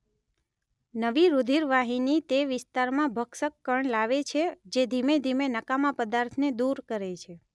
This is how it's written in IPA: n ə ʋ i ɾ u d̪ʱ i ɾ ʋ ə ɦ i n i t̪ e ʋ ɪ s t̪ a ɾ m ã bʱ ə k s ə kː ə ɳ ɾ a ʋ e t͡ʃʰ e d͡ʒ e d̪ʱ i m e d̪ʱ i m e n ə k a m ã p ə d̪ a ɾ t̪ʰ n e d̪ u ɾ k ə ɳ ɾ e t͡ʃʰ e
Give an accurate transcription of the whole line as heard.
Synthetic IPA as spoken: n ə ʋ i ɾ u d̪ʱ i ɾ ʋ a ɦ i n i t̪ e ʋ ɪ s t̪ a ɾ m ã bʱ ə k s ə kː ə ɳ l a ʋ e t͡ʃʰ e d͡ʒ e d̪ʱ i m e d̪ʱ i m e n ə k a m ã p ə d̪ a ɾ t̪ʰ n e d̪ u ɾ k ə ɾ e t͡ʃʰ e

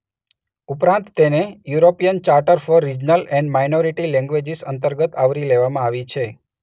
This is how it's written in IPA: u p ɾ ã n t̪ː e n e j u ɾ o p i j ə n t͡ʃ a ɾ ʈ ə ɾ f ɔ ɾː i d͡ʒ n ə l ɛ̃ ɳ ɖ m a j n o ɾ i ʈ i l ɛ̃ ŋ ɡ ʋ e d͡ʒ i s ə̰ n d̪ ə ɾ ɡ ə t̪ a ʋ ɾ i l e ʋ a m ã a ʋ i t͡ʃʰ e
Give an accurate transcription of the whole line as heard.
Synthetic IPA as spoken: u p ɾ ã n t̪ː e n e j u ɾ o p i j ə n t͡ʃ a ɾ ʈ ə ɾ f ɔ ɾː i d͡ʒ n ə l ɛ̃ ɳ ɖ m a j n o ɾ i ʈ i l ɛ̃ ŋ ɡ ʋ e d͡ʒ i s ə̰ n t̪ ə ɾ ɡ ə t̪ a ʋ ɾ i l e ʋ a m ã a ʋ i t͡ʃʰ e

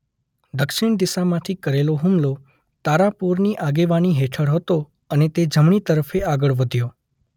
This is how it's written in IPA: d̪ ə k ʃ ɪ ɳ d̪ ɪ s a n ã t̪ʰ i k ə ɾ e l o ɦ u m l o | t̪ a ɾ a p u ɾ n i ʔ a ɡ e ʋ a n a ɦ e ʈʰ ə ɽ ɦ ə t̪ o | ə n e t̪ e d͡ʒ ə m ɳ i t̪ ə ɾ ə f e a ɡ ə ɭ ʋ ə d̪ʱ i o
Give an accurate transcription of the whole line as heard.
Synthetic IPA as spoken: d̪ ə k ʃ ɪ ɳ d̪ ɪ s a m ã t̪ʰ i k ə ɾ e l o ɦ u m l o | t̪ a ɾ a p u ɾ n i ʔ a ɡ e ʋ a n i ɦ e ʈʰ ə ɽ ɦ ə t̪ o | ə n e t̪ e d͡ʒ ə m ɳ i t̪ ə ɾ ə f e a ɡ ə ɭ ʋ ə d̪ʱ j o

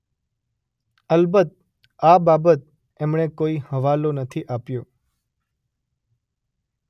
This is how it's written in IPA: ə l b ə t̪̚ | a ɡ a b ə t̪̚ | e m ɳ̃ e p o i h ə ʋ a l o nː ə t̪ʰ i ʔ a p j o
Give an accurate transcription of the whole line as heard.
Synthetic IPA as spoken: ə l b ə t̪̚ | a b a b ə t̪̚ | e m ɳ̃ e k o i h ə ʋ a l o n ə t̪ʰ i ʔ a p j o

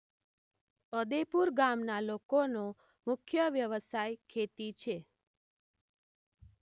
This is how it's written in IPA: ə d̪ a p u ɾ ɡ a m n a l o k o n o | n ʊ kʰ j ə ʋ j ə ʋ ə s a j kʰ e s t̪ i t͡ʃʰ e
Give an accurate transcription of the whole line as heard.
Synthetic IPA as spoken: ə d̪ e p u ɾ ɡ a m n a l o k o n o | m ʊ kʰ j ə ʋ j ə ʋ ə s a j kʰ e t̪ i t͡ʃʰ e

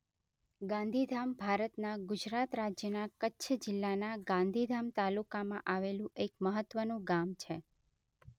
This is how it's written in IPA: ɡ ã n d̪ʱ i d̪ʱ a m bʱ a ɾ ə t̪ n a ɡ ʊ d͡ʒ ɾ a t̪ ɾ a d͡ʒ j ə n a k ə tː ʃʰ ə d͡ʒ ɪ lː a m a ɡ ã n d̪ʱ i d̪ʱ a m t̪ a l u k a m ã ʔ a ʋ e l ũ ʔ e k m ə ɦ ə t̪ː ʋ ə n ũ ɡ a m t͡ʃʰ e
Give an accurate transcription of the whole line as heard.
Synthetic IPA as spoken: ɡ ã n d̪ʱ i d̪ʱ a m bʱ a ɾ ə t̪ n a ɡ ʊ d͡ʒ ɾ a t̪ ɾ a d͡ʒ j ə n a k ə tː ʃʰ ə d͡ʒ ɪ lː a n a ɡ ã n d̪ʱ i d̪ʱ a m t̪ a l u k a m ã ʔ a ʋ e l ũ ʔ e k m ə ɦ ə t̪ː ʋ ə n ũ ɡ a m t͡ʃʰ e

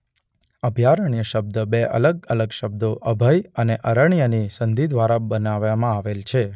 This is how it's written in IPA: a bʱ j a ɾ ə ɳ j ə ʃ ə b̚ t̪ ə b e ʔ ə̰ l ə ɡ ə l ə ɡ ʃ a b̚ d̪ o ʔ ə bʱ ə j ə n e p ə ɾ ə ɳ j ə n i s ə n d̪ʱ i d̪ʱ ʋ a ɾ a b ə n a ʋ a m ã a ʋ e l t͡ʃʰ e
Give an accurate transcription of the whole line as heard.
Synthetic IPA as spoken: ə bʱ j a ɾ ə ɳ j ə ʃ ə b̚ d̪ ə b e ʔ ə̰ l ə ɡ ə l ə ɡ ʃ ə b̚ d̪ o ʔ ə bʱ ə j ə n e ʔ ə ɾ ə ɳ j ə n i s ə n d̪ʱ i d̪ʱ ʋ a ɾ a b ə n a ʋ a m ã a ʋ e l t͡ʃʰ e

